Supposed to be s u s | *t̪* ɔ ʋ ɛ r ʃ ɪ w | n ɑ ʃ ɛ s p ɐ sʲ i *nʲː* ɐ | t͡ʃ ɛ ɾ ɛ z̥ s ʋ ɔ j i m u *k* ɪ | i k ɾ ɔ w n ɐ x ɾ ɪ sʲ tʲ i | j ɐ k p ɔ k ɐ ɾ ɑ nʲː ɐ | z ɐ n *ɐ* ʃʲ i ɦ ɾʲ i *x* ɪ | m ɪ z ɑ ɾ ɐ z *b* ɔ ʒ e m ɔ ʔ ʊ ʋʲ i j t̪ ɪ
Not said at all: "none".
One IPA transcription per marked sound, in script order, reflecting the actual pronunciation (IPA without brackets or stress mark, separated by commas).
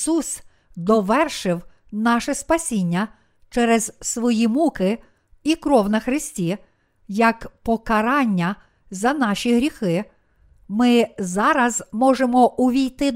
d̪, nʲː, k, ɑ, x, m